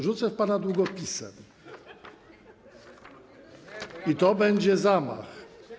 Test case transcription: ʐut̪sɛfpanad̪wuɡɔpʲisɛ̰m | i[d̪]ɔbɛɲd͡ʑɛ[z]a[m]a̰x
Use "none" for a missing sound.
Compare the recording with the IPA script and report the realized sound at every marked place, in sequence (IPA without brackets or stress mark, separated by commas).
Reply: t̪, z, m